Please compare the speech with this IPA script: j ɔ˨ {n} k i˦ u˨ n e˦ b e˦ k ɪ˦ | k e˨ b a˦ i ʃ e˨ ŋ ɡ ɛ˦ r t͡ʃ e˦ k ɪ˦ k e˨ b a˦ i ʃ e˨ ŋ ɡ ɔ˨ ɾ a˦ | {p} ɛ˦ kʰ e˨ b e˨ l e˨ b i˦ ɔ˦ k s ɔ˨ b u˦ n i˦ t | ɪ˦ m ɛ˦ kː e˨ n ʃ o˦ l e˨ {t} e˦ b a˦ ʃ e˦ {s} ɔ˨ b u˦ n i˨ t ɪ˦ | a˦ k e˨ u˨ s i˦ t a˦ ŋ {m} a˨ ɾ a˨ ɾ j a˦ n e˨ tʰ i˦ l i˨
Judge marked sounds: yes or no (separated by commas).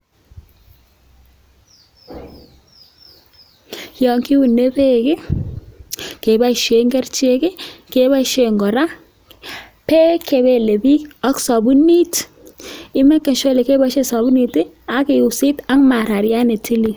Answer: no, yes, no, yes, yes